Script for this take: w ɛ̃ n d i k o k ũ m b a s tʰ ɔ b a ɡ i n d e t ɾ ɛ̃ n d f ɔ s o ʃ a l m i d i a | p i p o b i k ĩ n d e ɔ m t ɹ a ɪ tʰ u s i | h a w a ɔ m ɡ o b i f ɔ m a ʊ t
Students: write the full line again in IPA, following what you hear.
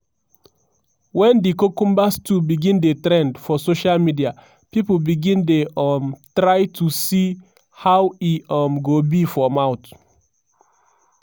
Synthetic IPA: w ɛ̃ n d i k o k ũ m b a s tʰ u b i ɡ ĩ n d e t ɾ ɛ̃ n d f ɔ s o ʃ a l m i d i a | p i p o b i ɡ ĩ n d e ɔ m t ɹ a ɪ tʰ u s i | h a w i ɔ m ɡ o b i f ɔ m a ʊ t